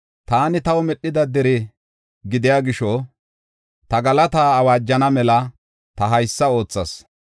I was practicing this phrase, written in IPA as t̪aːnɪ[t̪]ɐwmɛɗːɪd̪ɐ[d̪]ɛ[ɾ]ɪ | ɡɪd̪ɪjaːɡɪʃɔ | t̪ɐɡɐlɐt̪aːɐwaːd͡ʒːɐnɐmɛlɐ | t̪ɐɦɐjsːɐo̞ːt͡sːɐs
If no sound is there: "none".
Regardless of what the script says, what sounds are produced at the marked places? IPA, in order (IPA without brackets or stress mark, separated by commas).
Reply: t̪, d̪, ɾ